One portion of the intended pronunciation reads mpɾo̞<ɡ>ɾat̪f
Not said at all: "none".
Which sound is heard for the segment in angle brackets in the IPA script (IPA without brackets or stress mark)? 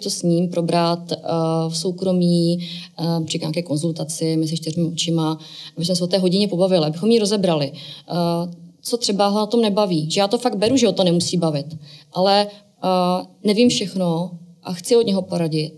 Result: b